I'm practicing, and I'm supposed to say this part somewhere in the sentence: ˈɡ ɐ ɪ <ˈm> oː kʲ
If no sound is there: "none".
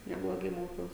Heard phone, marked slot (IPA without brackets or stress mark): m